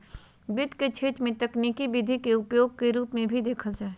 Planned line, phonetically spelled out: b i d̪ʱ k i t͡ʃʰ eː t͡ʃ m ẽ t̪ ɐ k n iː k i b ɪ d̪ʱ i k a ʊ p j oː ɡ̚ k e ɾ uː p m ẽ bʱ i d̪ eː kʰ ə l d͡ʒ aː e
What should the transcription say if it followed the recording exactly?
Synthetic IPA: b ɪ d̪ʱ k e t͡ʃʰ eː t͡ʃ m ẽ t̪ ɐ k n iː k i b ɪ d̪ʱ i k e ʊ p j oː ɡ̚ k e ɾ uː p m ẽ bʱ i d̪ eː kʰ ə l d͡ʒ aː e